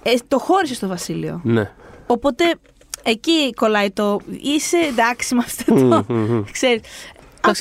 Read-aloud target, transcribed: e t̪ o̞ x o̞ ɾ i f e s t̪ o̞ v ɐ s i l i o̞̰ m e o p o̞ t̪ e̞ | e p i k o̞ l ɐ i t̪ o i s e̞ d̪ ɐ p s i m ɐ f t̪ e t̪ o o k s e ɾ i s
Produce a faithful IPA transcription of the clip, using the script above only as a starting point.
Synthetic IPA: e t̪ o̞ x o̞ ɾ i s e s t̪ o̞ v ɐ s i l i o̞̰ n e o p o̞ t̪ e̞ | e c i k o̞ l ɐ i t̪ o i s e̞ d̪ ɐ k s i m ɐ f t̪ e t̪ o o k s e ɾ i s